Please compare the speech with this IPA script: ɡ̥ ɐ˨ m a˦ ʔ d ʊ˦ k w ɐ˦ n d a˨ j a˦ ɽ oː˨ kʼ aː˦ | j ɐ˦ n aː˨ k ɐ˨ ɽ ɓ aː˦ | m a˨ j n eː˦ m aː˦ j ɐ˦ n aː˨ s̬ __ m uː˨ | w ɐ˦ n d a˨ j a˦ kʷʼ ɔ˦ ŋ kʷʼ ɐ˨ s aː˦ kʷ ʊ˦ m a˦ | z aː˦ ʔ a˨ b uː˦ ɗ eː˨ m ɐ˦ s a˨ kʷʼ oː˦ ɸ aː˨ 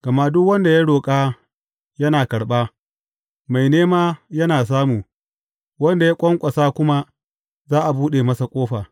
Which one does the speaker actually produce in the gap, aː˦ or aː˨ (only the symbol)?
aː˦